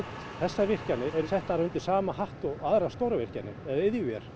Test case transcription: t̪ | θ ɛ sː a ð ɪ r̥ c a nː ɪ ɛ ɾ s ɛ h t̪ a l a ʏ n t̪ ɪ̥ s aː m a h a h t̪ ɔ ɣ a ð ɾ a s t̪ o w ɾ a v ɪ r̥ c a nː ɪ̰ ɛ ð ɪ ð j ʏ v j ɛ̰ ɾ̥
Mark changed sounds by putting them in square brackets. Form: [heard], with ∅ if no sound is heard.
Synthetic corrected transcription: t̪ | θ ɛ sː a [v] ɪ r̥ c a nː ɪ ɛ ɾ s ɛ h t̪ a [ɾ] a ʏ n t̪ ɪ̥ s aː m a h a h t̪ ɔ ɣ a ð ɾ a s t̪ o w ɾ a v ɪ r̥ c a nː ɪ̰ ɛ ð ɪ ð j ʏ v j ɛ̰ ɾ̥